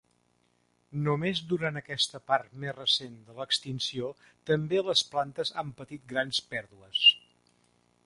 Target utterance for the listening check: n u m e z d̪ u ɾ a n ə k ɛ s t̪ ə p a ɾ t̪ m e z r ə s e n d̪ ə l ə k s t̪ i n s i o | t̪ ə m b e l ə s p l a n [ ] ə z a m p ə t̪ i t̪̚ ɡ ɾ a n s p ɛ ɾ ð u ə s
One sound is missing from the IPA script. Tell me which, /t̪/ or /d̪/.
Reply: t̪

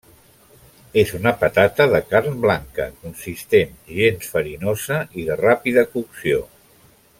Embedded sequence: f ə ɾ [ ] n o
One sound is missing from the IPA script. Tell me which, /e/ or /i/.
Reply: i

